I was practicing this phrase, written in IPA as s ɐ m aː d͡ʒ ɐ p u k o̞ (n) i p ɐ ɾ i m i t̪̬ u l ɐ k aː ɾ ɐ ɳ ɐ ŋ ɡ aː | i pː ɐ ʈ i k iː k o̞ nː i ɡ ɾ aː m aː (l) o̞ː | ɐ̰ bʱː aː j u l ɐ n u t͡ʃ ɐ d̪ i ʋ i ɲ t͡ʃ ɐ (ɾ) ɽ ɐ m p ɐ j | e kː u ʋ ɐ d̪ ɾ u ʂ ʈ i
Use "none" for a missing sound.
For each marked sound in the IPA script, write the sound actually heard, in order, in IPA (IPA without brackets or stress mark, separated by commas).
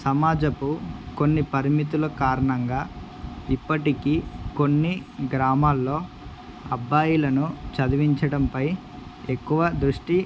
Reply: nː, lː, none